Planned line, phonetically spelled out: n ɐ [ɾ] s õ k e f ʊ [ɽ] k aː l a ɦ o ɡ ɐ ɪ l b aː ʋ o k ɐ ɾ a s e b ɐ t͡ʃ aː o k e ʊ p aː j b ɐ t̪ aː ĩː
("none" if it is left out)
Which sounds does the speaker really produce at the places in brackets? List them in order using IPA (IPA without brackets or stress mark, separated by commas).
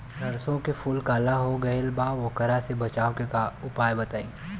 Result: ɾ, l